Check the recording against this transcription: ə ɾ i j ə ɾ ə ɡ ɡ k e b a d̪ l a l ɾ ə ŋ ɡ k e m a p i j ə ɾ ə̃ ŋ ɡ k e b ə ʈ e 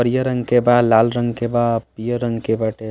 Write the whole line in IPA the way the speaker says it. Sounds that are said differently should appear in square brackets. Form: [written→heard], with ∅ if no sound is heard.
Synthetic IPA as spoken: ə ɾ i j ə ɾ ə [ɡ→ŋ] ɡ k e b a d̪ l a l ɾ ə ŋ ɡ k e [m→b] a p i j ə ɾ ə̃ ŋ ɡ k e b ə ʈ e